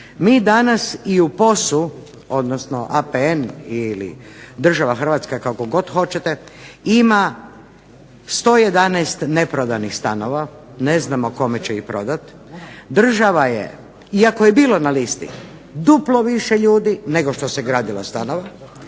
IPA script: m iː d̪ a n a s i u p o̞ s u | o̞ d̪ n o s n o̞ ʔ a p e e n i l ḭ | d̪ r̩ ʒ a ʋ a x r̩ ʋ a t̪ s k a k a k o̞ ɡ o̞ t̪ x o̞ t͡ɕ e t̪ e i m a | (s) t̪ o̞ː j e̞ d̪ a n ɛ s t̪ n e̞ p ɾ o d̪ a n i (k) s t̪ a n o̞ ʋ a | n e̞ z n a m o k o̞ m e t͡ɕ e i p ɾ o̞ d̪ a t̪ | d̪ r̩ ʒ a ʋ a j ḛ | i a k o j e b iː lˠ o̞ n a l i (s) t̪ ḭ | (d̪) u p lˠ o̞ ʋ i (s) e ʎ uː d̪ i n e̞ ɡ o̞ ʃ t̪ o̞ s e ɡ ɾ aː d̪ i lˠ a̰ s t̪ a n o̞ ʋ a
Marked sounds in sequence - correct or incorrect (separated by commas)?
correct, incorrect, correct, correct, incorrect